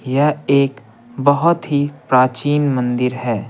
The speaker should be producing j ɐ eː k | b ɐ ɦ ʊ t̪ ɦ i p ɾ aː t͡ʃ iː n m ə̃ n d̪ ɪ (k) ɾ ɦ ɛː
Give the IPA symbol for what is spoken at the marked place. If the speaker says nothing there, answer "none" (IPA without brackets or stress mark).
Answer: none